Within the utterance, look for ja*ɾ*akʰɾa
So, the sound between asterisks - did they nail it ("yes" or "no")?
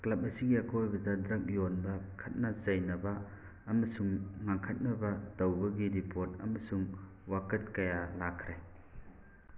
no